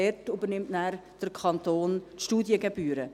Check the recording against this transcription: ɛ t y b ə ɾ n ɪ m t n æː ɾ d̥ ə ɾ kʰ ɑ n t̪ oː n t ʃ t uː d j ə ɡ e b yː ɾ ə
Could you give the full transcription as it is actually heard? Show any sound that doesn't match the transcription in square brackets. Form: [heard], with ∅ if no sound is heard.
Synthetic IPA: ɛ t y b ə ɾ n ɪ m t n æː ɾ d̥ ə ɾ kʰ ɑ n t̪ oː n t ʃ t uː d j ə ɡ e b yː ɾ ə